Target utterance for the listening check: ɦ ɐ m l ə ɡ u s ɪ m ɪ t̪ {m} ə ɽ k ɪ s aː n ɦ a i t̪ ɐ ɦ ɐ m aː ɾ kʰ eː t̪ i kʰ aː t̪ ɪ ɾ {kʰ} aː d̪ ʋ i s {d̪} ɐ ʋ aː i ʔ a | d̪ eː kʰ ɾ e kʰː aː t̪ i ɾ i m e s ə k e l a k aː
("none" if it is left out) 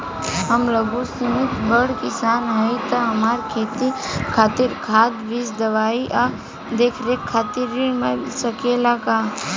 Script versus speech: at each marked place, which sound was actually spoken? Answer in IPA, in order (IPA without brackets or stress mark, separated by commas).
b, kʰ, d̪